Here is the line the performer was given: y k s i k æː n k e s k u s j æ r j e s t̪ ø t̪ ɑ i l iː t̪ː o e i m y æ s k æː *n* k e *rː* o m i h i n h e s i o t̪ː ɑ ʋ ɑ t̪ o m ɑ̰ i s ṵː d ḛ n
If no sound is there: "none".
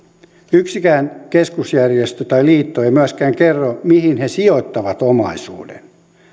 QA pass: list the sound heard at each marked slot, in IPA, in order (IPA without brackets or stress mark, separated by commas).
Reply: ŋ, rː